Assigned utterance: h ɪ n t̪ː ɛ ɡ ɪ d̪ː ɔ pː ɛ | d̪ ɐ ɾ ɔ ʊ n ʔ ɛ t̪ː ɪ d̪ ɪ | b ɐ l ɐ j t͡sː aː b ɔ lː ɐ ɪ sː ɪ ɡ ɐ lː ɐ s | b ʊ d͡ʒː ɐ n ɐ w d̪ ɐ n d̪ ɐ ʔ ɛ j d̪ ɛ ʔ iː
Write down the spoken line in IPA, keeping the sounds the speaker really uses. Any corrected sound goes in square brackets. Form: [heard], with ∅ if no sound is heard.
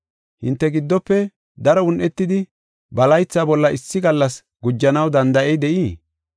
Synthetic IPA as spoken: h ɪ n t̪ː ɛ ɡ ɪ d̪ː ɔ pː ɛ | d̪ ɐ ɾ ɔ ʊ n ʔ ɛ t̪ː ɪ d̪ ɪ | b ɐ l ɐ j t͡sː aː b ɔ lː ɐ ɪ sː ɪ ɡ ɐ lː ɐ s | [ɡ] ʊ d͡ʒː ɐ n ɐ w d̪ ɐ n d̪ ɐ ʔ ɛ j d̪ ɛ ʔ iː